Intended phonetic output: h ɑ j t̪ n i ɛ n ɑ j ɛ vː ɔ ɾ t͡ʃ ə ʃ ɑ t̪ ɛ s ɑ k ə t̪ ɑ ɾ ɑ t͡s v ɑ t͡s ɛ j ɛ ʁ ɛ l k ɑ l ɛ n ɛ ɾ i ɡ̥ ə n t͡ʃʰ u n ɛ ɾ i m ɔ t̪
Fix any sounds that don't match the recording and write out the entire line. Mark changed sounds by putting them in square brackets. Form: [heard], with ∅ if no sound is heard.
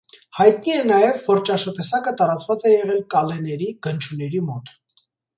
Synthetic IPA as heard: h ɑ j t̪ n i ɛ n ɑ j ɛ vː ɔ ɾ t͡ʃ [ɑ] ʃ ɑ t̪ ɛ s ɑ k ə t̪ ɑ ɾ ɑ t͡s v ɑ t͡s ɛ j ɛ ʁ ɛ l k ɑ l ɛ n ɛ ɾ i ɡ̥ ə n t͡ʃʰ u n ɛ ɾ i m ɔ t̪